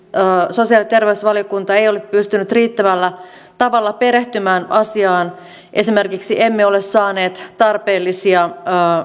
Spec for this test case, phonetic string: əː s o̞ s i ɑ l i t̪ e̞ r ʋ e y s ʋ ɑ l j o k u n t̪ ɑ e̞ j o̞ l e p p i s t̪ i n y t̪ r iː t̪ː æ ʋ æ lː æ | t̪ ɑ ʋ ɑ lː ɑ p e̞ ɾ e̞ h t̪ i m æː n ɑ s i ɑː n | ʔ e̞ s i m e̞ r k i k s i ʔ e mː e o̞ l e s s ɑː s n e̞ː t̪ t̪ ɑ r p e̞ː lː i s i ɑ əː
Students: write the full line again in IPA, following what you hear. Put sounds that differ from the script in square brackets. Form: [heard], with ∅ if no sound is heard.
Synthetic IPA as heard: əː s o̞ s i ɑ l i t̪ e̞ r ʋ e y s ʋ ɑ l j o k u n t̪ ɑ e̞ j o̞ l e p p [y] s t̪ [y] n y t̪ r iː t̪ː æ ʋ æ lː æ | t̪ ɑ ʋ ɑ lː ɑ p e̞ ɾ e̞ h t̪ [y] m æː n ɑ s i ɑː n | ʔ e̞ s i m e̞ r k i k s i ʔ e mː e o̞ l e s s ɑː [∅] n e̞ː t̪ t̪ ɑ r p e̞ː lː i s i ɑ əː